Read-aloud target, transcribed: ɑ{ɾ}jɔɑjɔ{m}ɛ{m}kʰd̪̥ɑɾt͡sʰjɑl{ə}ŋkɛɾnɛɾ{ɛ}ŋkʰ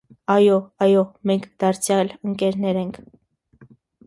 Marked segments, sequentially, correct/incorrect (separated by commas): incorrect, correct, incorrect, correct, correct